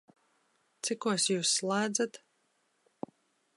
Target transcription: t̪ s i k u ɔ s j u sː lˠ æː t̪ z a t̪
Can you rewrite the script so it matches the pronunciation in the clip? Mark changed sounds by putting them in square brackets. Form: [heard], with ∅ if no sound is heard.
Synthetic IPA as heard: t̪ s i k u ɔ s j [uː] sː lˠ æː [d̪] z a t̪